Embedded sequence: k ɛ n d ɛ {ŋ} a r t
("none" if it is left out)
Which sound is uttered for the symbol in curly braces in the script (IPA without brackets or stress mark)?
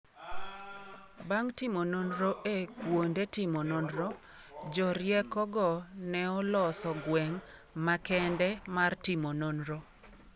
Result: m